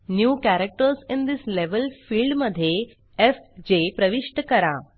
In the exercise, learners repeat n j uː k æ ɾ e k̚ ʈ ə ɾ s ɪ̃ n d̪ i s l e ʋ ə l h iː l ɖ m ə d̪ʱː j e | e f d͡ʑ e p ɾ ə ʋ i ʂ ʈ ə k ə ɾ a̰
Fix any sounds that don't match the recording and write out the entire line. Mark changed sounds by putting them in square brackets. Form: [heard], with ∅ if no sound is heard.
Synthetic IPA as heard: n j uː k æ ɾ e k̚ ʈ ə ɾ s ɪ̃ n d̪ i s l e ʋ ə l [f] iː l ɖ m ə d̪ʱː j e | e f d͡ʑ e p ɾ ə ʋ i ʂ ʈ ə k ə ɾ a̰